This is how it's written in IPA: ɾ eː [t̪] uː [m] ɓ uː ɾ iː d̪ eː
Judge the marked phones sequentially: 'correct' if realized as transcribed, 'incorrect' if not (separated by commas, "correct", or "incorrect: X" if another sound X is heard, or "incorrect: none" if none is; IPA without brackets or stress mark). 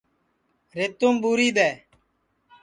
correct, correct